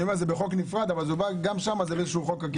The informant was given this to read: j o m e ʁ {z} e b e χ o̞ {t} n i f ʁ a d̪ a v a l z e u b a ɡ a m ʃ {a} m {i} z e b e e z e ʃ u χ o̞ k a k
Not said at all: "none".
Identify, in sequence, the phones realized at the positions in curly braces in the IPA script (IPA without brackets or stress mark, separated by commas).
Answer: z, k, a, a